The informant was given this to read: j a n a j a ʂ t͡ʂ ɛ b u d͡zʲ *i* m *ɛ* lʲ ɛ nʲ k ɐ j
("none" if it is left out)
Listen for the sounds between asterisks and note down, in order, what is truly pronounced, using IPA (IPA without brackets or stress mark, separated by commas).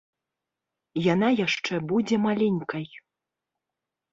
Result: ɛ, a